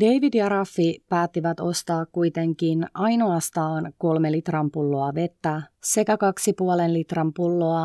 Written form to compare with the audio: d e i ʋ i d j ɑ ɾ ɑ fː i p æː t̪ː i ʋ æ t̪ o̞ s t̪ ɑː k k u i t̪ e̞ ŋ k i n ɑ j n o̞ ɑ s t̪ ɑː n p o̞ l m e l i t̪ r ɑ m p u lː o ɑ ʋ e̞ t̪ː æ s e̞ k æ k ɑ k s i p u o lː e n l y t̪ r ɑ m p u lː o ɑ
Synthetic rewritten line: d e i ʋ i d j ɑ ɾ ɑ fː i p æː t̪ː i ʋ æ t̪ o̞ s t̪ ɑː k k u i t̪ e̞ ŋ k i n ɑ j n o̞ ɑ s t̪ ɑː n k o̞ l m e l i t̪ r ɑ m p u lː o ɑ ʋ e̞ t̪ː æ s e̞ k æ k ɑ k s i p u o l e n l i t̪ r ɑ m p u lː o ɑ